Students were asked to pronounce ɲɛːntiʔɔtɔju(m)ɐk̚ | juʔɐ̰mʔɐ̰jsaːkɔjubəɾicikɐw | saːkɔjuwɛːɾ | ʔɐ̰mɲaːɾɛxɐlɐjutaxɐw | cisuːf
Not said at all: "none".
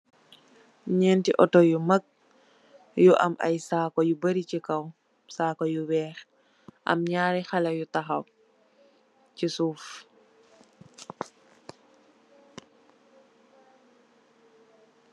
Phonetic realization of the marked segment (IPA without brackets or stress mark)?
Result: m